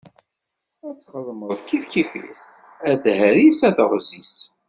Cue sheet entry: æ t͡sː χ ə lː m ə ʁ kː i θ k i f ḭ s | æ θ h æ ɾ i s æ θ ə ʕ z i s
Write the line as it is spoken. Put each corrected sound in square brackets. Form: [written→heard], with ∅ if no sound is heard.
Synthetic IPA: æ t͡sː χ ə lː m ə [ʁ→ð] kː i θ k i f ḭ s | æ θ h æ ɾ i s æ θ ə [ʕ→ʁ] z i s